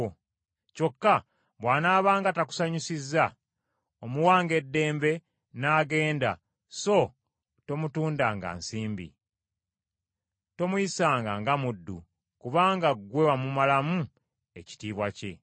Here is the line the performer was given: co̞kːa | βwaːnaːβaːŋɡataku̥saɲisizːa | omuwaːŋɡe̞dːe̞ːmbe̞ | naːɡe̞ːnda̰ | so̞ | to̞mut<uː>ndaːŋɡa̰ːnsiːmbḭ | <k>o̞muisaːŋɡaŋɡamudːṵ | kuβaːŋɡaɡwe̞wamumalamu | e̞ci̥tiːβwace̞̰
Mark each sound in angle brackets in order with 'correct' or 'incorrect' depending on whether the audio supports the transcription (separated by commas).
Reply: correct, incorrect